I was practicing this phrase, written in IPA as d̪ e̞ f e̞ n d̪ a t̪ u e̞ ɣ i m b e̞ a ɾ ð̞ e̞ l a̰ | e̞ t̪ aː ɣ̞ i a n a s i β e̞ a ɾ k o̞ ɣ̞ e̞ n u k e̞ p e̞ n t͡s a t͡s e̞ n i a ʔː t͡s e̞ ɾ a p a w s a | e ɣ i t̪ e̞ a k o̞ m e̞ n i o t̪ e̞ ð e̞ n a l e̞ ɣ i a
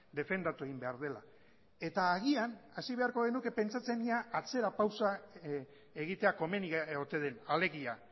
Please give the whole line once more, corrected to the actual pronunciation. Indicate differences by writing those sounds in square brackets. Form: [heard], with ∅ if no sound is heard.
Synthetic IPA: d̪ e̞ f e̞ n d̪ a t̪ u e̞ ɣ i m b e̞ a ɾ ð̞ e̞ l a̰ | e̞ t̪ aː ɣ̞ i a n a s i β e̞ a ɾ k o̞ ɣ̞ e̞ n u k e̞ p e̞ n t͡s a t͡s e̞ n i a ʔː t͡s e̞ ɾ a p a w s a | e ɣ i t̪ e̞ a k o̞ m e̞ n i o t̪ e̞ ð e̞ n a l e̞ ɣ i a